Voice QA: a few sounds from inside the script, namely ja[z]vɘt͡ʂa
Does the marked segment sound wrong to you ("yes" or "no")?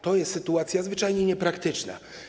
no